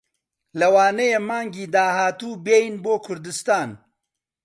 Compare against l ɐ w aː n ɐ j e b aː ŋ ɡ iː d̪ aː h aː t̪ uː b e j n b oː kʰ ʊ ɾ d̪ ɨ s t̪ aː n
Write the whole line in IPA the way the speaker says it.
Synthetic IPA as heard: l ɐ w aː n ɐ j e m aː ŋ ɡ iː d̪ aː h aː t̪ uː b e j n b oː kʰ ʊ ɾ d̪ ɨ s t̪ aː n